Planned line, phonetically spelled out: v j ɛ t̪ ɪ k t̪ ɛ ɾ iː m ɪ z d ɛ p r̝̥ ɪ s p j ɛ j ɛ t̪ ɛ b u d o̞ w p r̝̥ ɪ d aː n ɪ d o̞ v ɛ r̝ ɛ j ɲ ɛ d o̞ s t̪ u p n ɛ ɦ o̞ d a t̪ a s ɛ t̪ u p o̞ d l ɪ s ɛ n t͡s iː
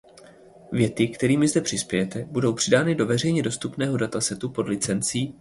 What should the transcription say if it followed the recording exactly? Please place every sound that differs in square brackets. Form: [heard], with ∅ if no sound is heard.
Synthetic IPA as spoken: v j ɛ t̪ ɪ k t̪ ɛ ɾ iː m ɪ z d ɛ p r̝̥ ɪ s p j ɛ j ɛ t̪ ɛ b u d o̞ w p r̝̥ ɪ d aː n ɪ d o̞ v ɛ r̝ ɛ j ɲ ɛ d o̞ s t̪ u p n [ɛː] ɦ o̞ d a t̪ a s ɛ t̪ u p o̞ d l ɪ [t͡s] ɛ n t͡s iː